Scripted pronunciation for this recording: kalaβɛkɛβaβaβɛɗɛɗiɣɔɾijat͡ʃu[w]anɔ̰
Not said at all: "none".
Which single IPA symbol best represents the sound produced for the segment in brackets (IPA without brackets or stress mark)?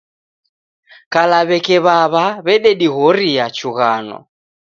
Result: ɣ